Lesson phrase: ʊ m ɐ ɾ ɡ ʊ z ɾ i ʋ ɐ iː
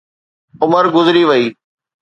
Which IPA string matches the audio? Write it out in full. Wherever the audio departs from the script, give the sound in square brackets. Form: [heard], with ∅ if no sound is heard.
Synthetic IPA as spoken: ʊ m [ə] ɾ ɡ ʊ z ɾ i ʋ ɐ iː